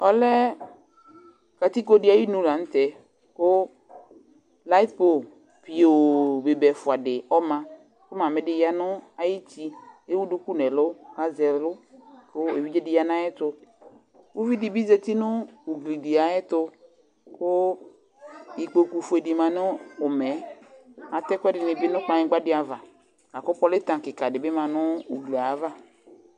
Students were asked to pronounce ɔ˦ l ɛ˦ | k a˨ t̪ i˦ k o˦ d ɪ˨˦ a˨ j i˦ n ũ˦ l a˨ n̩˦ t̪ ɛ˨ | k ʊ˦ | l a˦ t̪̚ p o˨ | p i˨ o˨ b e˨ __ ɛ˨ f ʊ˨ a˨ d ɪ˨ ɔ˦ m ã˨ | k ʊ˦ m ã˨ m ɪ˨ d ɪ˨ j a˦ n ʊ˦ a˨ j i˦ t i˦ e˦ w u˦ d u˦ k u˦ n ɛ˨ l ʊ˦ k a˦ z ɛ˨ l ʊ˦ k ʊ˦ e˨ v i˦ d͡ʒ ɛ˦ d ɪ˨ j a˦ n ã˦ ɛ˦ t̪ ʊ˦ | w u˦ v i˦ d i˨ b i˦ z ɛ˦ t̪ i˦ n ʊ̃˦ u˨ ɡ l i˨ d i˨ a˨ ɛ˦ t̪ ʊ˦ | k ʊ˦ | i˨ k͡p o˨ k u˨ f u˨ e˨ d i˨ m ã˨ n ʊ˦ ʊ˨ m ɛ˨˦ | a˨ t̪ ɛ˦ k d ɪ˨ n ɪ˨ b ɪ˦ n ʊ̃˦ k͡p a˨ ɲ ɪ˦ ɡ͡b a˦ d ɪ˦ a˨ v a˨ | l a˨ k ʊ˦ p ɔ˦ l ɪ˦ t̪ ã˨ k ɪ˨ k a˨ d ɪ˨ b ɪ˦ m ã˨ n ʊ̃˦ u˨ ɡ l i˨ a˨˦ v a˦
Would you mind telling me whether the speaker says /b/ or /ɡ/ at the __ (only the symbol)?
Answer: b